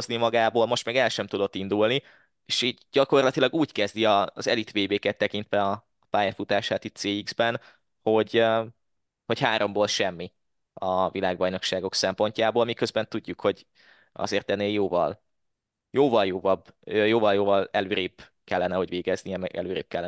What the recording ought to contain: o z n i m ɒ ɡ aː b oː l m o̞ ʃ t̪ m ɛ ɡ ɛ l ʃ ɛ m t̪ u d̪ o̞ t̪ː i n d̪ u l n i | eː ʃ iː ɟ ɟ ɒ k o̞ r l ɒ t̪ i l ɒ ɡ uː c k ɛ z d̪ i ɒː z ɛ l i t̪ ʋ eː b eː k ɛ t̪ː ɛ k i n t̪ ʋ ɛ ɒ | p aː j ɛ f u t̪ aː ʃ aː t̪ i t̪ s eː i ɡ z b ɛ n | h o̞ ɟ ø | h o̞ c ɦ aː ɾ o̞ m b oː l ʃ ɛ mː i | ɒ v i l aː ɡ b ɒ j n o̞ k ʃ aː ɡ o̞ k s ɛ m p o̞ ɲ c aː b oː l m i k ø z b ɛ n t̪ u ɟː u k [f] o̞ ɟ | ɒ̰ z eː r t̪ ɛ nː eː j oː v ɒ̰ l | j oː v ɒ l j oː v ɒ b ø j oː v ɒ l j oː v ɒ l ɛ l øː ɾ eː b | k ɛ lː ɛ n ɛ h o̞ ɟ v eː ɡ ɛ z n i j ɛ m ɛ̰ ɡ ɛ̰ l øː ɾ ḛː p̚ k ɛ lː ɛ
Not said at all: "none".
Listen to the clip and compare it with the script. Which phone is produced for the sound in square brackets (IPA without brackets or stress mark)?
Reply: h